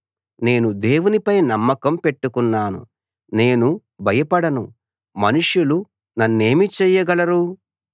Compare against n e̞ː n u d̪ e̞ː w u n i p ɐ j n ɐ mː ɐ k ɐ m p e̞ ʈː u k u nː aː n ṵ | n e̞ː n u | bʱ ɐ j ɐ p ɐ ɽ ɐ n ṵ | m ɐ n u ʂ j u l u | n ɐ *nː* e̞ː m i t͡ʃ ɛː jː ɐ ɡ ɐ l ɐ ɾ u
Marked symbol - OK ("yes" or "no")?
yes